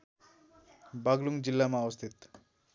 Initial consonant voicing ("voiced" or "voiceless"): voiced